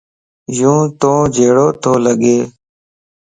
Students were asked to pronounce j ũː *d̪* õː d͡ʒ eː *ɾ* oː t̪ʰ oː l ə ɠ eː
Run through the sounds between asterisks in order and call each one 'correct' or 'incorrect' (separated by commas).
incorrect, incorrect